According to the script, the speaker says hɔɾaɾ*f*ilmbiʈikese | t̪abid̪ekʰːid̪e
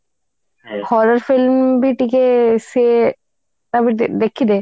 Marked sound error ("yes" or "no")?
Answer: no